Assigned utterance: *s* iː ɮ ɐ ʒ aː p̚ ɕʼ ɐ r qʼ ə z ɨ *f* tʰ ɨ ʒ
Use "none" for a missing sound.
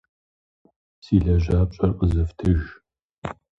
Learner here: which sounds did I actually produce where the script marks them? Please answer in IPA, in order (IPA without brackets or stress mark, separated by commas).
s, f